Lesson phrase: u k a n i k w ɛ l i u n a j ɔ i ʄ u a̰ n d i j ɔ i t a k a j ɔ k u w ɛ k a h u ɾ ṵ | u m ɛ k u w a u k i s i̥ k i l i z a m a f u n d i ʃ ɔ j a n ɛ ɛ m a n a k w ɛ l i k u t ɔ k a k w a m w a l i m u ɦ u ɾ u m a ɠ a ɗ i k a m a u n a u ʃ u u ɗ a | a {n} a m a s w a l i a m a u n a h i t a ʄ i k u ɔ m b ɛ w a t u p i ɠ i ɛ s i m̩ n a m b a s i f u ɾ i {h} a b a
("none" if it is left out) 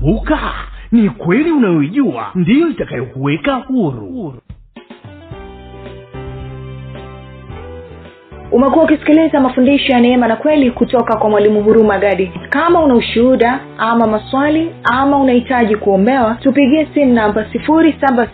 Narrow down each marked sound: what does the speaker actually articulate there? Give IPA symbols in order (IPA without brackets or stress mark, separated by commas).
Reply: m, s